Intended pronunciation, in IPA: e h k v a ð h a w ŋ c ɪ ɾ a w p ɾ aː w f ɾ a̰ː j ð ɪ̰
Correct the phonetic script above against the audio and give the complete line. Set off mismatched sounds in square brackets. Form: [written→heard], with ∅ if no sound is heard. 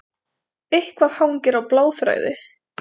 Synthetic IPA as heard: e h k v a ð h a w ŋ c ɪ ɾ a w p [ɾ→l] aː w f ɾ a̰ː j ð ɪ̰